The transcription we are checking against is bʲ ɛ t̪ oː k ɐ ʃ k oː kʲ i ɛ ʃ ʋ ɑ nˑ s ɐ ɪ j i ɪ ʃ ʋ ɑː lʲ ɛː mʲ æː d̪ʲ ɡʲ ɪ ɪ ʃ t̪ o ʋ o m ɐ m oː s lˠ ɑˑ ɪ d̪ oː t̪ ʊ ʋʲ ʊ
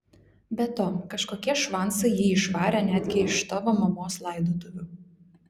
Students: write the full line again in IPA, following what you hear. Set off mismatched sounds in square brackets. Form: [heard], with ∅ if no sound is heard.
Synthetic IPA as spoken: bʲ ɛ t̪ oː k ɐ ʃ k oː kʲ i ɛ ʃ ʋ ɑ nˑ s ɐ ɪ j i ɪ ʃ ʋ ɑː [ɾʲ] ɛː [nʲ] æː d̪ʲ ɡʲ ɪ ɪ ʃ t̪ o ʋ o m ɐ m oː s lˠ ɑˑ ɪ d̪ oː t̪ ʊ ʋʲ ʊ